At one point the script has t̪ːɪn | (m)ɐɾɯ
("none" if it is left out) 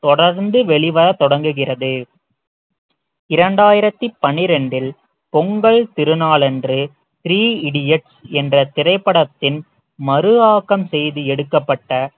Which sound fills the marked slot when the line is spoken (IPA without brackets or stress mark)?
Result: m